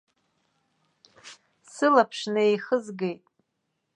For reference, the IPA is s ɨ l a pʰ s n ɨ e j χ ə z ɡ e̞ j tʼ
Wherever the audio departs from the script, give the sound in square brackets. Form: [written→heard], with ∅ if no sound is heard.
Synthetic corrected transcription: s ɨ l a pʰ [s→ʂ] n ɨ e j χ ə z ɡ e̞ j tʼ

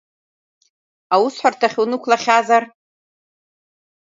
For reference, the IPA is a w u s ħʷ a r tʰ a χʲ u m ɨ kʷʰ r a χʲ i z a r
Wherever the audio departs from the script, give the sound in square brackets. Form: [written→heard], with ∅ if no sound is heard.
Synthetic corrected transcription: a w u s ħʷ a r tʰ a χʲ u [m→n] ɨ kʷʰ [r→l] a χʲ [i→a] z a r

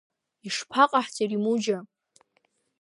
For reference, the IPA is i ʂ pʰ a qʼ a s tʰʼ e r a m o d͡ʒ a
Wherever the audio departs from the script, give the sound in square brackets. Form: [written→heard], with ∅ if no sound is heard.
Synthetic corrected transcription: i ʂ pʰ a qʼ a [s→ħ] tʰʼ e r [a→i] m [o→u] d͡ʒ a

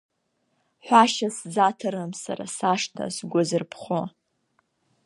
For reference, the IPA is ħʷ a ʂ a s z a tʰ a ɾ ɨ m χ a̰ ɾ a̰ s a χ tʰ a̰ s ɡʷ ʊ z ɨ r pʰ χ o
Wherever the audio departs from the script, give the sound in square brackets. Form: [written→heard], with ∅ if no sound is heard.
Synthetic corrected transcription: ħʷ a [ʂ→ʃ] a s z a tʰ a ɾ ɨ m [χ→s] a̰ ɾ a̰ s a [χ→ʂ] tʰ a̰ s ɡʷ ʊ z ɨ r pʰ χ o

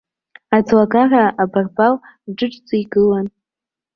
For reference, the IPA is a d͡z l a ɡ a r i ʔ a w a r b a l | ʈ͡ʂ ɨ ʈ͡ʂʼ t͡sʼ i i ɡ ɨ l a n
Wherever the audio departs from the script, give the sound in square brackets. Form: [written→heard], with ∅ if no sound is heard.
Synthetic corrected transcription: a d͡z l a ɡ a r [i→a] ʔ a [w→b] a r b a l | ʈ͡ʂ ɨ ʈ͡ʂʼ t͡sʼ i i ɡ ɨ l a n

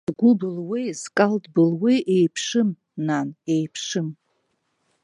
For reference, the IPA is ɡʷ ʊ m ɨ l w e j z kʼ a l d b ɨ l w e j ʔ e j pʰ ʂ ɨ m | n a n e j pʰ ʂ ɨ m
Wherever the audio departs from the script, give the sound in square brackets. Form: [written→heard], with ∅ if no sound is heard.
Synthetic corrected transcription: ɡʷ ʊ [m→b] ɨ l w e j z kʼ a l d b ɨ l w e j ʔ e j pʰ ʂ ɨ m | n a n e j pʰ ʂ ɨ m

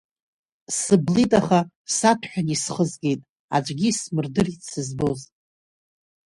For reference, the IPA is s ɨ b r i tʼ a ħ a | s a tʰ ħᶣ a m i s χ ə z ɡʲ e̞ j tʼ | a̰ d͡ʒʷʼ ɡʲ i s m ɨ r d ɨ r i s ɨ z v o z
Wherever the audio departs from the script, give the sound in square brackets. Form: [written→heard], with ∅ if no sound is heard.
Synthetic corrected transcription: s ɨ b [r→l] i tʼ a [ħ→χ] a | s a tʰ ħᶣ a [m→n] i s χ ə z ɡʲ e̞ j tʼ | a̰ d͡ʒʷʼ ɡʲ i s m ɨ r d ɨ r i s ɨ z [v→b] o z

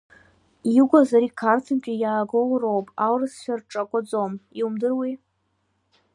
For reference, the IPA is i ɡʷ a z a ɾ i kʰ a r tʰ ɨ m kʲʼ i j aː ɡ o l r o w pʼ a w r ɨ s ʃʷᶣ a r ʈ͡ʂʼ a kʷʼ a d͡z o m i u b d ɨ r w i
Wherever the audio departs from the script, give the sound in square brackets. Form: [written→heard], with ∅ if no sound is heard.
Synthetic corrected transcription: i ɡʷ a z a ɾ i kʰ a r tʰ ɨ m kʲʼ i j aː ɡ o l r o w pʼ a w r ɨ s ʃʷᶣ a r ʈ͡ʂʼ a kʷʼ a d͡z o m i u [b→m] d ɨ r w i

